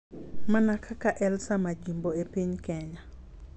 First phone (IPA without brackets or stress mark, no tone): m